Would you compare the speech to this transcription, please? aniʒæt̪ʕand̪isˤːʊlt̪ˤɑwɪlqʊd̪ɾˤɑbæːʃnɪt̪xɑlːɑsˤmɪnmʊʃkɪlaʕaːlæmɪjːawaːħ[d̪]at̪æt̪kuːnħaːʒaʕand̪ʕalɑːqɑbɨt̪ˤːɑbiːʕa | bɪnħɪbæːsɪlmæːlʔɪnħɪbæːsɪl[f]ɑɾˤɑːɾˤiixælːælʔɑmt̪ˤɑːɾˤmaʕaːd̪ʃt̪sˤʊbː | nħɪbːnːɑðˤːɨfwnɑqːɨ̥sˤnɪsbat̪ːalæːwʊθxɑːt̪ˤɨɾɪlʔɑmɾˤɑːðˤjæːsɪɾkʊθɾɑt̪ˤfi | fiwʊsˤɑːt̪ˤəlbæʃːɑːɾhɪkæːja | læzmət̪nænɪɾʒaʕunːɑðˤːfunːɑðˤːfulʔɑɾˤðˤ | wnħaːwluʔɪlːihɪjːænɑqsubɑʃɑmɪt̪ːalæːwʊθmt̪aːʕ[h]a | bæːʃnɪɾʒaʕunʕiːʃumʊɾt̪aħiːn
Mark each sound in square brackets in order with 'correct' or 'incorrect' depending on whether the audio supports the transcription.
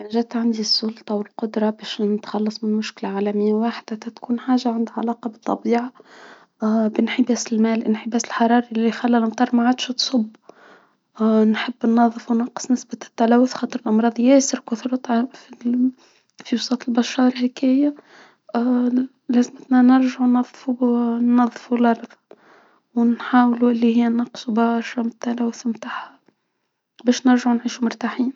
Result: correct, incorrect: ħ, correct

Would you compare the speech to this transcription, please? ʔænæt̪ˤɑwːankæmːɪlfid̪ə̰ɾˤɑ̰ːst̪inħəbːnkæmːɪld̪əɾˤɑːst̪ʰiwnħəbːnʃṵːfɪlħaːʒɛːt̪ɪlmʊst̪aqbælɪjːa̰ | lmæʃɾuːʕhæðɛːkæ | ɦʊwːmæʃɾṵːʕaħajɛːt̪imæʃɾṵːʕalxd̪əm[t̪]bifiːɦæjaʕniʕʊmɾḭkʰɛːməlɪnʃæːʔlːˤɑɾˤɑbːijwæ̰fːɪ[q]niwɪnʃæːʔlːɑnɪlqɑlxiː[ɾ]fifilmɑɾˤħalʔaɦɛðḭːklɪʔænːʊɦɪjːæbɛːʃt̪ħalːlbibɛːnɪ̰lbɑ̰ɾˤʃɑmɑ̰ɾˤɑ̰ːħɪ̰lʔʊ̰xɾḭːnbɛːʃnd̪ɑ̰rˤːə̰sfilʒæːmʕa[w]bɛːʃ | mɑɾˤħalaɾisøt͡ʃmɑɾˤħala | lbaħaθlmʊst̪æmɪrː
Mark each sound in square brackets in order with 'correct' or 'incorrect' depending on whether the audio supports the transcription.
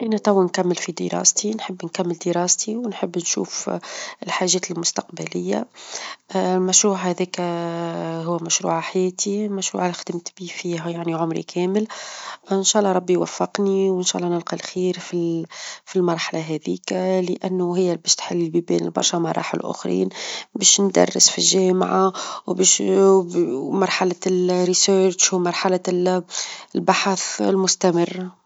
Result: correct, correct, correct, correct

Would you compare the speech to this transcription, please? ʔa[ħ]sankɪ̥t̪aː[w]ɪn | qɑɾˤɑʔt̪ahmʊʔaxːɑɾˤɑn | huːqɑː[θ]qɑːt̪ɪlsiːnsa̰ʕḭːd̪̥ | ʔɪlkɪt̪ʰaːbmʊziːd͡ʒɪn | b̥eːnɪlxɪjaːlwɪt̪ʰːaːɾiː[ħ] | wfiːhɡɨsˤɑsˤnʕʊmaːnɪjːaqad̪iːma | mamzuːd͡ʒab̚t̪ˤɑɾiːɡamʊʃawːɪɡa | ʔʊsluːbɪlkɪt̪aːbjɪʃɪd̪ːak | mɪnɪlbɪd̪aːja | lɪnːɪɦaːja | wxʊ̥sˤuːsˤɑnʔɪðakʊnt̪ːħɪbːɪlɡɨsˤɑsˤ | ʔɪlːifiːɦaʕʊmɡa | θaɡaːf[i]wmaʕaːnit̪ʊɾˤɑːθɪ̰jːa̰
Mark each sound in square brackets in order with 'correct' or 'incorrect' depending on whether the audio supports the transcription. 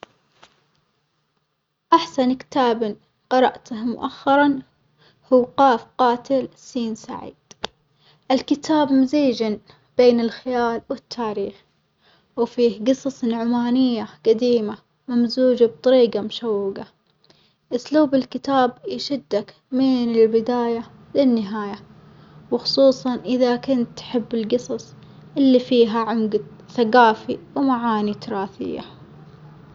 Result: correct, incorrect: b, incorrect: f, incorrect: x, correct

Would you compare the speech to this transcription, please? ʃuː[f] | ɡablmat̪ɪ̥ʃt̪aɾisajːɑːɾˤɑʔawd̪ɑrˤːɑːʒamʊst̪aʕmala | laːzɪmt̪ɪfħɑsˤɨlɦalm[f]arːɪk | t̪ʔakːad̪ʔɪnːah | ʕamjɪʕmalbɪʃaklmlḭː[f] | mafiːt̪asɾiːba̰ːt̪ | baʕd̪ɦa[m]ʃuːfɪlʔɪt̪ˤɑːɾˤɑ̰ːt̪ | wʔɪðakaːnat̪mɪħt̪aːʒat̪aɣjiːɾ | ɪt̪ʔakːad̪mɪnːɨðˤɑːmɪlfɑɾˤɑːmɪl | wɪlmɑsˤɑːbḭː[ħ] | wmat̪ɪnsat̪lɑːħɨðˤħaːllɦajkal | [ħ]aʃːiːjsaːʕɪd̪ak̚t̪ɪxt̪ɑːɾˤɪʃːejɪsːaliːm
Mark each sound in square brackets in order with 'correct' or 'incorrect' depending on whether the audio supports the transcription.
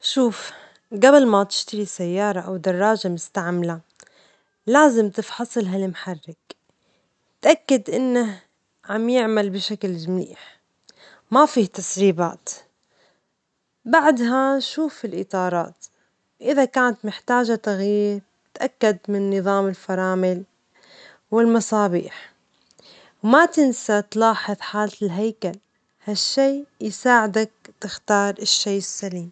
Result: correct, incorrect: ħ, incorrect: ħ, incorrect: n, correct, incorrect: h

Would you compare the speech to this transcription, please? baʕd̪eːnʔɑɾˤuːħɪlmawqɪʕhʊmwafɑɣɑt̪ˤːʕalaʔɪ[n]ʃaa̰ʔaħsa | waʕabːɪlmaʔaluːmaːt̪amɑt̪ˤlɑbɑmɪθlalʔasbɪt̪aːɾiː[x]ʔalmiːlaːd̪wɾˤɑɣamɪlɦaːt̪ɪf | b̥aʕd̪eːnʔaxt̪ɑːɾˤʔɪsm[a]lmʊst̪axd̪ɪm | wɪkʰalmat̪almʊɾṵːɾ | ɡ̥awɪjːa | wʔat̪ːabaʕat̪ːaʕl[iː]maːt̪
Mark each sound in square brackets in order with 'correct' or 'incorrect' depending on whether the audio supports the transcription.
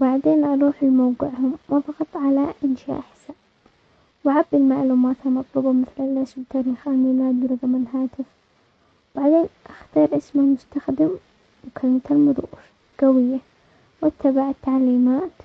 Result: correct, correct, correct, correct

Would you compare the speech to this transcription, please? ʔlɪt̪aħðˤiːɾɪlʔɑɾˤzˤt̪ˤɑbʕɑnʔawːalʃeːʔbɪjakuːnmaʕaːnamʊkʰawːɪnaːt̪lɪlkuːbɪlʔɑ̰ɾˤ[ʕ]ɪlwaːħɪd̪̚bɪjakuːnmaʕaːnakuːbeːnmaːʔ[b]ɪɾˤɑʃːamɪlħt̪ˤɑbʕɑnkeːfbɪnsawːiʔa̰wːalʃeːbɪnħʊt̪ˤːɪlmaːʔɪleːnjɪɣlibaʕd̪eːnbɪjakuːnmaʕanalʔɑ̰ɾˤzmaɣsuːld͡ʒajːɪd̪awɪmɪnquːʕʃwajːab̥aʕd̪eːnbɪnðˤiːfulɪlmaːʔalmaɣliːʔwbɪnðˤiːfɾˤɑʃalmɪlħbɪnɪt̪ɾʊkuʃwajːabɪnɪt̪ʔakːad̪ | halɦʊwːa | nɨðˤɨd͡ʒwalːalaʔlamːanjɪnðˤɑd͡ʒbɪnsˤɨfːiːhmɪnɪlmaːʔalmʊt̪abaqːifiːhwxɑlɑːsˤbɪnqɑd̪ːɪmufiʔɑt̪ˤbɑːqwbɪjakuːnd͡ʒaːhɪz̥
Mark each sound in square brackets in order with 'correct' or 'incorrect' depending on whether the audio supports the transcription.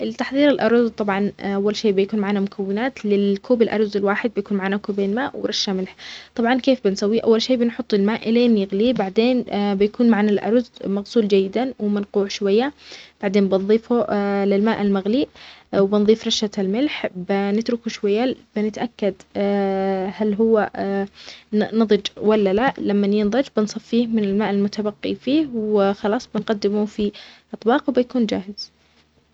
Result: incorrect: z, incorrect: w

